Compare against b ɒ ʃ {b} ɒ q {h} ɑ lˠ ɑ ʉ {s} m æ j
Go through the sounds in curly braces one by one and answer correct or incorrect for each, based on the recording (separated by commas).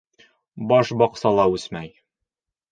correct, incorrect, correct